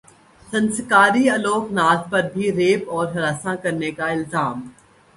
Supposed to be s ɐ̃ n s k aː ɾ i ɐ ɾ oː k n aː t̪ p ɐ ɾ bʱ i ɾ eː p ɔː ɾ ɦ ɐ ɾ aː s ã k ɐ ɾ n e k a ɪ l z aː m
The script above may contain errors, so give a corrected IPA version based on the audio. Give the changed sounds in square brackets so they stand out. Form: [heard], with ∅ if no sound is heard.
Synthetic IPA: s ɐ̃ n s k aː ɾ i ɐ [l] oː k n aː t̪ p ɐ ɾ bʱ i ɾ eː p ɔː ɾ ɦ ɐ ɾ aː s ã k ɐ ɾ n e k a ɪ l z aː m